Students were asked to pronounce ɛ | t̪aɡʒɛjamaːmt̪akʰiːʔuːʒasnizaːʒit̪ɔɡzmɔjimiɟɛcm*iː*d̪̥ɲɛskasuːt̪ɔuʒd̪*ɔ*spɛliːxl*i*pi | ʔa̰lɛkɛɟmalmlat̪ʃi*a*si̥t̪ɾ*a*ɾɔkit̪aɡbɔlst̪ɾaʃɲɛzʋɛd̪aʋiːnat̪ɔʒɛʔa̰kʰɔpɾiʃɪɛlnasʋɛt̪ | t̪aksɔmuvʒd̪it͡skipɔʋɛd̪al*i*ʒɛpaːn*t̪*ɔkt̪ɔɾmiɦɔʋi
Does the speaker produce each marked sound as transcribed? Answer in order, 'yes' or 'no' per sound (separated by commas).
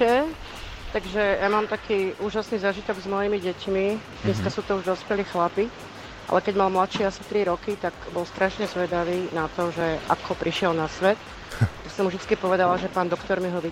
no, yes, no, yes, no, no, no